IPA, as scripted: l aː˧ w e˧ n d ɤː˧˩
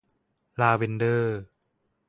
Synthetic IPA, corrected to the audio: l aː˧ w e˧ n d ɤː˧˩